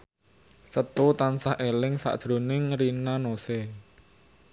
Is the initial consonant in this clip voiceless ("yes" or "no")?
yes